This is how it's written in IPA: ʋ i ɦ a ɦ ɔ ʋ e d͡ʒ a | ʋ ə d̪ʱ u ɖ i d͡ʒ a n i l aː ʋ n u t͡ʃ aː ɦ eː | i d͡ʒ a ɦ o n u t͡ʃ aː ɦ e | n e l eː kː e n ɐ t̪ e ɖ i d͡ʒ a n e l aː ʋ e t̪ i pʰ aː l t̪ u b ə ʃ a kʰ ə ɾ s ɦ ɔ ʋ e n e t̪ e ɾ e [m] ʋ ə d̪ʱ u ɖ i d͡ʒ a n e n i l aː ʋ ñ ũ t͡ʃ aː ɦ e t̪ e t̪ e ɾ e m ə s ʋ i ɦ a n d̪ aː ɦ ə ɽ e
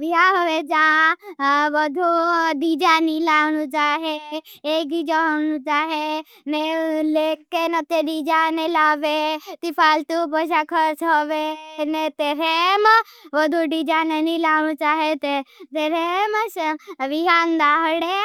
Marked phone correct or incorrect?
correct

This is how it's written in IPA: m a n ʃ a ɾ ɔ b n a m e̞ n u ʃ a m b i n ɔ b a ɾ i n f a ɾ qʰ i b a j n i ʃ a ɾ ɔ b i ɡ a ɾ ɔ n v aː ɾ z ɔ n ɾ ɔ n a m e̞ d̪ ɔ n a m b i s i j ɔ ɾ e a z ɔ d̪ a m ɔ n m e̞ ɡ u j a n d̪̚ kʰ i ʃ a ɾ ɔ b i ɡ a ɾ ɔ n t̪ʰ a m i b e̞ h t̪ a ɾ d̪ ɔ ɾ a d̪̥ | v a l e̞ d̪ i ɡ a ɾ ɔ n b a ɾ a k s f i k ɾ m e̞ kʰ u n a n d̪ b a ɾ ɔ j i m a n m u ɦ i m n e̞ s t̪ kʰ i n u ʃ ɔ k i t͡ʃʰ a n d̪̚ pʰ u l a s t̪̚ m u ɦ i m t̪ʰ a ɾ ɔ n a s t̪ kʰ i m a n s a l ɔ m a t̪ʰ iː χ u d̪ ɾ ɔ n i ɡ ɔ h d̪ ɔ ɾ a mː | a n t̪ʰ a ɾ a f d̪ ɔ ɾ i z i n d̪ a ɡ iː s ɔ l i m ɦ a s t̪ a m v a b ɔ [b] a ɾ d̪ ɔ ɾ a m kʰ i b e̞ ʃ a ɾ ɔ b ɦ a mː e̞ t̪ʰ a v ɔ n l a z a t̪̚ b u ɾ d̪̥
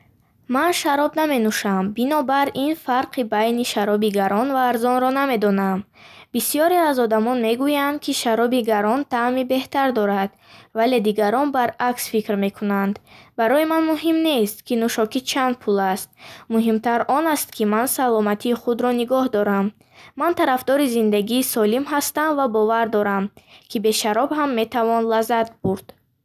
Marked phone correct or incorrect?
incorrect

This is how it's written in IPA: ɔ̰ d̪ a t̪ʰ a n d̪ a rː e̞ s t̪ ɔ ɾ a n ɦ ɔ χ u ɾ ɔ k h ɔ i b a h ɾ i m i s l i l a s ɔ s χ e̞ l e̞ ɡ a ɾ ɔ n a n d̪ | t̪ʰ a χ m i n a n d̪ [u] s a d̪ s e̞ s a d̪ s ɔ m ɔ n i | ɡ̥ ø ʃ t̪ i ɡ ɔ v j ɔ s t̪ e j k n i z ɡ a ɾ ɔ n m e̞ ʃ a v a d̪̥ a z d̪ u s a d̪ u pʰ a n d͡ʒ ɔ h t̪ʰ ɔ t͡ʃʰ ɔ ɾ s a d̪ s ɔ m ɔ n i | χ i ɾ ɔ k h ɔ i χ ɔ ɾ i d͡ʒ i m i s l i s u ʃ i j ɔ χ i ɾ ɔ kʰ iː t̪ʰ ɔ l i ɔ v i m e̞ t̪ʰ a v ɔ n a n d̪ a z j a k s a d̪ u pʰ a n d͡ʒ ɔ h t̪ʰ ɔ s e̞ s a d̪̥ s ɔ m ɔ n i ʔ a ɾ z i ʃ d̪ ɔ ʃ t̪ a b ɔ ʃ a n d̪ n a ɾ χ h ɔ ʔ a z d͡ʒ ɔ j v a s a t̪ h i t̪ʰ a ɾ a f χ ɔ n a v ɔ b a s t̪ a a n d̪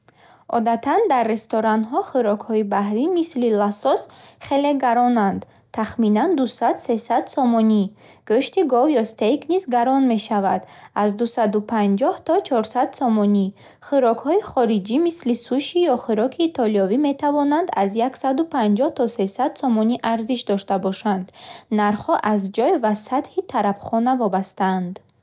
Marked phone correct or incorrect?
correct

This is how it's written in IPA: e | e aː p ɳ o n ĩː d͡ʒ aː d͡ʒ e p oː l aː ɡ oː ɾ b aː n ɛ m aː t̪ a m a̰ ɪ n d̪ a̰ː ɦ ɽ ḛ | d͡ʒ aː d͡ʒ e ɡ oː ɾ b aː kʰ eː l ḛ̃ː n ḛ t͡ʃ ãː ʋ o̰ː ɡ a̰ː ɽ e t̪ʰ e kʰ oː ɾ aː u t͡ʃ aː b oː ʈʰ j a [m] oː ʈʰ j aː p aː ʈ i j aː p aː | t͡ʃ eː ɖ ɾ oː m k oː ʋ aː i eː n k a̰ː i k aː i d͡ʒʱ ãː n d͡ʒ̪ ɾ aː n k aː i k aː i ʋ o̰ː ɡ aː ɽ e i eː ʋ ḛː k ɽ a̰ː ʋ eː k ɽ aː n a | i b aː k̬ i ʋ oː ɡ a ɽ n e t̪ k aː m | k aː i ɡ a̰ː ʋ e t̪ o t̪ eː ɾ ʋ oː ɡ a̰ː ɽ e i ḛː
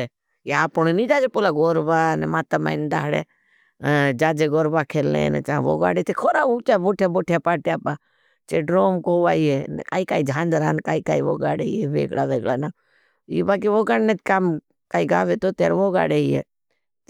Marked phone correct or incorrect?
incorrect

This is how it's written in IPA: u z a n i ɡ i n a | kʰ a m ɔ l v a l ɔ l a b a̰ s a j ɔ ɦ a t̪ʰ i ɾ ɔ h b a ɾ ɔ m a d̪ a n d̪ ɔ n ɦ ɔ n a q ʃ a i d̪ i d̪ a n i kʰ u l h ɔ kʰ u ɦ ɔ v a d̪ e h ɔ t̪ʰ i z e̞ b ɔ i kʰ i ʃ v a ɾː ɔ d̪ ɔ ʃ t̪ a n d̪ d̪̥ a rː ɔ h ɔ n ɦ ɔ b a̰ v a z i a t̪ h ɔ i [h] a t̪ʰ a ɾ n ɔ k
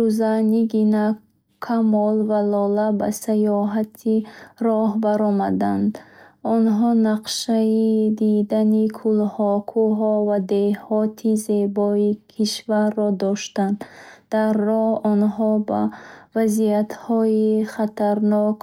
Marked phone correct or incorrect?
incorrect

